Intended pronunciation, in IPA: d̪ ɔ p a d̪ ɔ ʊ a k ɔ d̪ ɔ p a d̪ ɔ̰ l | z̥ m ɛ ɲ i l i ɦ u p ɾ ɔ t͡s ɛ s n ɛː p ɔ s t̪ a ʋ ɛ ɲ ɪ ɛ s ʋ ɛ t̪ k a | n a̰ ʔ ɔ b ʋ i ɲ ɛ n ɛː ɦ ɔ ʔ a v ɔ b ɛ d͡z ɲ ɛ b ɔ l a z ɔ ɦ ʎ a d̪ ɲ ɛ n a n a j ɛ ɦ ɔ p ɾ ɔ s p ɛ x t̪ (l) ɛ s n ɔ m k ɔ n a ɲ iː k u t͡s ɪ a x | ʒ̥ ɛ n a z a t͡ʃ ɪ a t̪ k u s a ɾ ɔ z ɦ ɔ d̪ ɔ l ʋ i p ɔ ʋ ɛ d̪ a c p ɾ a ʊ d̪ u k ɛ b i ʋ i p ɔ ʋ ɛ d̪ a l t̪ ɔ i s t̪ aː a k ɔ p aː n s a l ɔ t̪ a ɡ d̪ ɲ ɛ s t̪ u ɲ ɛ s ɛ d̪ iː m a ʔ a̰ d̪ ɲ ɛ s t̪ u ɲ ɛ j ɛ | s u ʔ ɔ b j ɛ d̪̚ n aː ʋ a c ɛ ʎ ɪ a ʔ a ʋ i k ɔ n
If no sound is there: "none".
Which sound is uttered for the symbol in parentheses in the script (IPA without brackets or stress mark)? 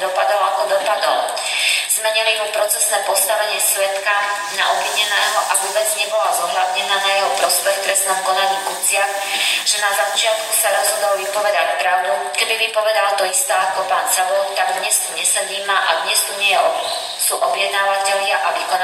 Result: ɾ